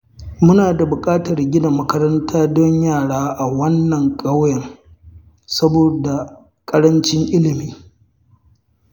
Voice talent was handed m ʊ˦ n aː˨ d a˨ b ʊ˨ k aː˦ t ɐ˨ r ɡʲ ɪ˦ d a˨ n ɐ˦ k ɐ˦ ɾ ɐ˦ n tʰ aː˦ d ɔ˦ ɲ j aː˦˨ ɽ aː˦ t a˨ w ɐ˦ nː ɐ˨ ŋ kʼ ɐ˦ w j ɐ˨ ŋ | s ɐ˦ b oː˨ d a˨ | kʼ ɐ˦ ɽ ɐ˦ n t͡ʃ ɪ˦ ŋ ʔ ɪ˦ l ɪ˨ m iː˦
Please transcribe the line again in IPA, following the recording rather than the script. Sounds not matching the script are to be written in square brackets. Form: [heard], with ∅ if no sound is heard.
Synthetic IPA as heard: m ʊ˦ n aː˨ d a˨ b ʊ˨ [kʼ] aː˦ t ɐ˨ r ɡʲ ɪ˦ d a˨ [m] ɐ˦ k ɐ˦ ɾ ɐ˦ n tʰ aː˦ d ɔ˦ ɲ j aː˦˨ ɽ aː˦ [ʔ] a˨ w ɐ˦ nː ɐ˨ ŋ kʼ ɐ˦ w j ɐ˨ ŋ | s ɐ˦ b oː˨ d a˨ | kʼ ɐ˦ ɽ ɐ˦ n t͡ʃ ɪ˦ ŋ ʔ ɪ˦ l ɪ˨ m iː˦